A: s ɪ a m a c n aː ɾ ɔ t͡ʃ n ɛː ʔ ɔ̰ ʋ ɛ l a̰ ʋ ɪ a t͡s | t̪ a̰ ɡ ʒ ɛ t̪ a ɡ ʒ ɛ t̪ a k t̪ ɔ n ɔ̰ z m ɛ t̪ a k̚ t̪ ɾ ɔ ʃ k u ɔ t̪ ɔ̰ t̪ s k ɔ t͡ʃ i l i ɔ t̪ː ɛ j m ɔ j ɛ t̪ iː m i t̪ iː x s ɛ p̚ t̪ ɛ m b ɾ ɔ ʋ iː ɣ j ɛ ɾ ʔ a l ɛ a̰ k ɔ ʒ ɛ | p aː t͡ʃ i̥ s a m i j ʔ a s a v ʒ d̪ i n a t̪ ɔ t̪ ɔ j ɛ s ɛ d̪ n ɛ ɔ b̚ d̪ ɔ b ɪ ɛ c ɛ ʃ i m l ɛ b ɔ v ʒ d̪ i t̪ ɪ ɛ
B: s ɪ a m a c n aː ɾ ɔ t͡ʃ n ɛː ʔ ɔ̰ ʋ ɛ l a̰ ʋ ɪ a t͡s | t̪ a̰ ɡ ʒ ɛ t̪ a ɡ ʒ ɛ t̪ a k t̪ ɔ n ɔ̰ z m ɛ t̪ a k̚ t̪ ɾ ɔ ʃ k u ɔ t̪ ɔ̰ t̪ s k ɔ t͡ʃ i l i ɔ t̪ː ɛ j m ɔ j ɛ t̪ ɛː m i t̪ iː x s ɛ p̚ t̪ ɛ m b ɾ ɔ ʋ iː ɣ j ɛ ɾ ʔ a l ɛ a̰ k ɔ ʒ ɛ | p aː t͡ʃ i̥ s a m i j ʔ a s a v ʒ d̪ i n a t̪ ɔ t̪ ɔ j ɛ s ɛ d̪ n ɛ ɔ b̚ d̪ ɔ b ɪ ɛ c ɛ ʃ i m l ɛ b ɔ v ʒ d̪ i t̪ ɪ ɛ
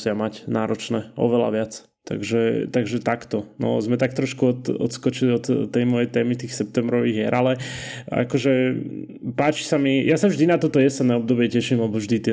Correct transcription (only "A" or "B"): B